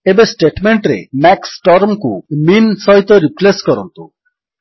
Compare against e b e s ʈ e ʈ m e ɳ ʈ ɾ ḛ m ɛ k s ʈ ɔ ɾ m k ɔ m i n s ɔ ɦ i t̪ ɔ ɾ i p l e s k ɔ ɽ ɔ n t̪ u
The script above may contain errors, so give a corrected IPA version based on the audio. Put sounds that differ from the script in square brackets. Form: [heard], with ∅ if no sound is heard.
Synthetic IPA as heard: e b e s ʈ e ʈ m e ɳ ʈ ɾ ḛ m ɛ k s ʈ ɔ ɾ m k [u] m i n s ɔ ɦ i t̪ ɔ ɾ i p l e s k ɔ [ɾ] ɔ n t̪ u